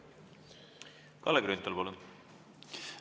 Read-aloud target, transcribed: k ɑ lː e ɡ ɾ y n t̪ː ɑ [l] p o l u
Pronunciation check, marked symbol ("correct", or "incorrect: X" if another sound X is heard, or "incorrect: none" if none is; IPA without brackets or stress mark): correct